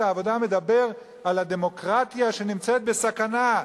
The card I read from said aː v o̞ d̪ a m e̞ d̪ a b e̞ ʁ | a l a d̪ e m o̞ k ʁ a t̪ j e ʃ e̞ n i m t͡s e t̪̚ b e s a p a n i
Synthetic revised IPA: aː v o̞ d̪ a m e̞ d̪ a b e̞ ʁ | a l a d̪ e m o̞ k ʁ a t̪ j a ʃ e̞ n i m t͡s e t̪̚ b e s a k a n a